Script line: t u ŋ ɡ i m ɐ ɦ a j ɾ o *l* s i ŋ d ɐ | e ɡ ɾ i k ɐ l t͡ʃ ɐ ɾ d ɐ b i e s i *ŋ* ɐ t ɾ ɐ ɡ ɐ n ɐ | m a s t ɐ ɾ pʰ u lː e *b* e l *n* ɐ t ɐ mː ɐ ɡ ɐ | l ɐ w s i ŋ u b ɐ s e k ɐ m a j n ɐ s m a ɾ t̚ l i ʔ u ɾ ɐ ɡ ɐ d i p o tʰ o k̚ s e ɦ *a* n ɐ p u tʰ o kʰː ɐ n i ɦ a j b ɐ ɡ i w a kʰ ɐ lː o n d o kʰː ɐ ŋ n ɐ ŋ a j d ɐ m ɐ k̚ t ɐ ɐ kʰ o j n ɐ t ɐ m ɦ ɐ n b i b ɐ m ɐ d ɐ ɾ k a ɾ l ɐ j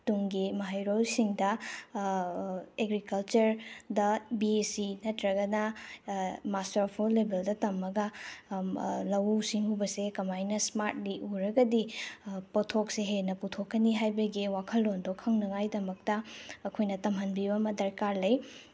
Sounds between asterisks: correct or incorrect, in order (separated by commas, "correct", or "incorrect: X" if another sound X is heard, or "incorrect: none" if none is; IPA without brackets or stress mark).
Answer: correct, incorrect: n, correct, incorrect: d, incorrect: e